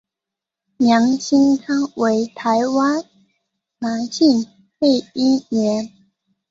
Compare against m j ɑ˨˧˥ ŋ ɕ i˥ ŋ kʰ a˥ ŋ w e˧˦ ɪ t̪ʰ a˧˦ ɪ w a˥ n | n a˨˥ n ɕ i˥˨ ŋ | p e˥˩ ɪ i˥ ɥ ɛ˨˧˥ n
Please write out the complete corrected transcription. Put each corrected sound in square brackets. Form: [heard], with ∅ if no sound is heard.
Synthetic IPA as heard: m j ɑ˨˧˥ ŋ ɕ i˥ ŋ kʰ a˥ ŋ w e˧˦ ɪ t̪ʰ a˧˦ ɪ w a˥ n | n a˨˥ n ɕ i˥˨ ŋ | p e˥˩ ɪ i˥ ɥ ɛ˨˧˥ n